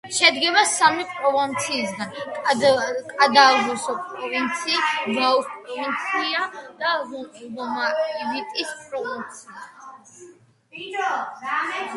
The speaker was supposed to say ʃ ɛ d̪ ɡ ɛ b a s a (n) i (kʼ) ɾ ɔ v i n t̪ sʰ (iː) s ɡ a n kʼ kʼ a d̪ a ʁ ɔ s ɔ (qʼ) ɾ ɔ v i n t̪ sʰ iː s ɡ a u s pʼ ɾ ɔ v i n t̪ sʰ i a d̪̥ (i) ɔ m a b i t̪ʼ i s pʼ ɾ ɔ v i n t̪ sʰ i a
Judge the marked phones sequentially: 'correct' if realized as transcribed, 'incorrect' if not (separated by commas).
incorrect, incorrect, correct, incorrect, incorrect